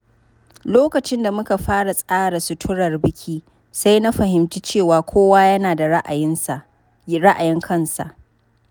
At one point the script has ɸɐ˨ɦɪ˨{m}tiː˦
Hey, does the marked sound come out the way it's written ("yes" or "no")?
yes